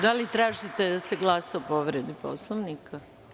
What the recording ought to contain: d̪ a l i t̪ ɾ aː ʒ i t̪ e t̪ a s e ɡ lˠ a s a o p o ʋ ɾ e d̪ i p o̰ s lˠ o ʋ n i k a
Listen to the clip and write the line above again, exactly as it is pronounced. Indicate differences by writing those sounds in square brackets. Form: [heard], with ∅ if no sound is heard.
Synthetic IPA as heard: d̪ a l i t̪ ɾ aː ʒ i t̪ e [d̪] a s e ɡ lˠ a s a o p o ʋ ɾ e d̪ i p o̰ s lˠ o ʋ n i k a

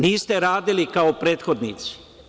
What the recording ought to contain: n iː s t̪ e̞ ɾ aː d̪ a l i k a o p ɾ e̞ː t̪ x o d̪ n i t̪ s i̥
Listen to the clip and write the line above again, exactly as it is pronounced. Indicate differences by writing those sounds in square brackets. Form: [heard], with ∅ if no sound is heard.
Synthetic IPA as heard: n iː s t̪ e̞ ɾ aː d̪ [i] l i k a o p ɾ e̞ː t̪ x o d̪ n i t̪ s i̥

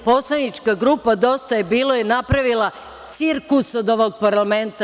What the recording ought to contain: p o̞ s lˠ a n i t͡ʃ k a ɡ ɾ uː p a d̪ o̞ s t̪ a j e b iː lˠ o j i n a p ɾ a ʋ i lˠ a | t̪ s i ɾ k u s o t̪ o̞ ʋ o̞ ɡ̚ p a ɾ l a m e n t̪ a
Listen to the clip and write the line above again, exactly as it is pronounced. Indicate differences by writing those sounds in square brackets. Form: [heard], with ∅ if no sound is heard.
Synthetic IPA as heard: p o̞ s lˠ a n i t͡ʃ k a ɡ ɾ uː p a d̪ o̞ s t̪ a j e b iː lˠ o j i n a p ɾ a ʋ i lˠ a | t̪ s i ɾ k u s o [d̪] o̞ ʋ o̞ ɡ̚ p a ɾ l a m e n t̪ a

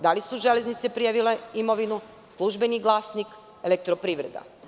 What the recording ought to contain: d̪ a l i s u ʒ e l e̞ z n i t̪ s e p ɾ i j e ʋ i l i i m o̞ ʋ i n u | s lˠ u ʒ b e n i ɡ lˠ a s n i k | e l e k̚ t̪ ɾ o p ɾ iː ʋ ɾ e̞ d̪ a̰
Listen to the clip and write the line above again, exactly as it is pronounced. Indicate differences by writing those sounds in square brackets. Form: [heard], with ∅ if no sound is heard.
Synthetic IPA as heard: d̪ a l i s u ʒ e l e̞ z n i t̪ s e p ɾ i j [a] ʋ i l [e] i m o̞ ʋ i n u | s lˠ u ʒ b e n i ɡ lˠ a s n i k | e l e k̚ t̪ ɾ o p ɾ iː ʋ ɾ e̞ d̪ a̰

